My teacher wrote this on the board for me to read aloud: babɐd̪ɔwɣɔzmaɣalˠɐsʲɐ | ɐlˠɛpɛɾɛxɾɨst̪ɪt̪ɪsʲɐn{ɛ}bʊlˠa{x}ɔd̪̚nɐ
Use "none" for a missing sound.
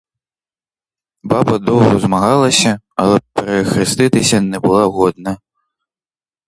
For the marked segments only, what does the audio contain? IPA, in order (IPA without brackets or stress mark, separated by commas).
ɛ, ɣ